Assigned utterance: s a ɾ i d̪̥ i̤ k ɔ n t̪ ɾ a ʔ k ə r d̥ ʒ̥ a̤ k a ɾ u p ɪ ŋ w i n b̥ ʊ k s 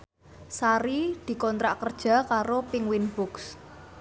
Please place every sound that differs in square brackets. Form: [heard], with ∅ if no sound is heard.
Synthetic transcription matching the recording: s a ɾ i d̪̥ i̤ k ɔ n t̪ ɾ a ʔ k ə r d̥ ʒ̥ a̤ k a ɾ [o] p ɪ ŋ w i n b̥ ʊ k s